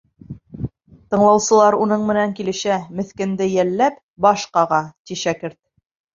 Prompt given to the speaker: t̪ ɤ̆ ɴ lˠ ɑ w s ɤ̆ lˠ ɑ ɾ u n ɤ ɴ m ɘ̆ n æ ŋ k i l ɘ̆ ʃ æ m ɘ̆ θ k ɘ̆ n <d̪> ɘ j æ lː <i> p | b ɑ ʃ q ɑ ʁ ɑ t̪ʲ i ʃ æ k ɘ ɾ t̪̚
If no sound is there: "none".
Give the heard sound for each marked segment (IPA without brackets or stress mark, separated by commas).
d̪, æ